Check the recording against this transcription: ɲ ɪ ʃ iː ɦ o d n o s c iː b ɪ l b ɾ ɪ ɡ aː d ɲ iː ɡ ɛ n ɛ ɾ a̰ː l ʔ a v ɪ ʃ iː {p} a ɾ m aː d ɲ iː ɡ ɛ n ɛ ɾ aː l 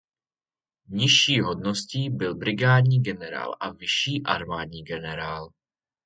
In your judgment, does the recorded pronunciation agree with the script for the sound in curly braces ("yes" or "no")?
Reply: no